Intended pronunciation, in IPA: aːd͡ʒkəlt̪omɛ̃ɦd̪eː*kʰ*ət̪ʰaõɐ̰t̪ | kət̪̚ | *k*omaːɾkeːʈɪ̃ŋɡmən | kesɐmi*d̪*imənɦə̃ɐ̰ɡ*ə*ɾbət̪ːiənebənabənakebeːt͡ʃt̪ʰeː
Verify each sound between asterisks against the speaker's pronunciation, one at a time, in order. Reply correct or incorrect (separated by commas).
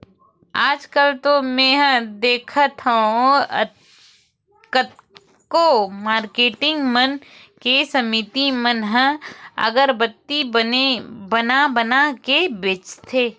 correct, correct, incorrect, correct